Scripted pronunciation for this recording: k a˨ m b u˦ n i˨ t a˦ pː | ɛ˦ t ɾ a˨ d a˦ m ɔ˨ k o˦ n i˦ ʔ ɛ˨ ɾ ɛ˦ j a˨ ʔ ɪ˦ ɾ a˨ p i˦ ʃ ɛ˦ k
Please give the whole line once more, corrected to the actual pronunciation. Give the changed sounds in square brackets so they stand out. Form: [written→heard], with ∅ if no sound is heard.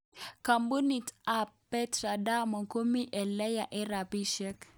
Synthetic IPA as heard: k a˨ m b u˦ n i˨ t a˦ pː | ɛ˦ t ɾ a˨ d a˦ m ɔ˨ k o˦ [n→m] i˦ ʔ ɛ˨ [ɾ→l] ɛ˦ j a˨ ʔ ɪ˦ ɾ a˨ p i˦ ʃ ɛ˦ k